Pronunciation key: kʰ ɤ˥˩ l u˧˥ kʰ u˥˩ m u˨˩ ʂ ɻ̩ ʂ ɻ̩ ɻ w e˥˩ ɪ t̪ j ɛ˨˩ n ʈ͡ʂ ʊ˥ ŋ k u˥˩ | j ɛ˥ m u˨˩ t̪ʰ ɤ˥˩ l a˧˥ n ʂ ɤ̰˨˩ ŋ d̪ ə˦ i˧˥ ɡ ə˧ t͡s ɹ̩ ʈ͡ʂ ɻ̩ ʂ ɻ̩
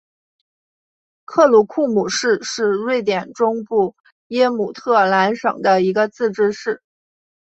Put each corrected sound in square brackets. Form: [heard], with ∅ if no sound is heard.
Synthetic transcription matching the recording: kʰ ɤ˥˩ l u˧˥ kʰ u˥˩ m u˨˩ ʂ ɻ̩ ʂ ɻ̩ ɻ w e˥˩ ɪ t̪ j ɛ˨˩ n ʈ͡ʂ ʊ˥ ŋ [p] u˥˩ | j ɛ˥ m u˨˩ t̪ʰ ɤ˥˩ l a˧˥ n ʂ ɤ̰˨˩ ŋ d̪ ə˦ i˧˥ ɡ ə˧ t͡s ɹ̩ ʈ͡ʂ ɻ̩ ʂ ɻ̩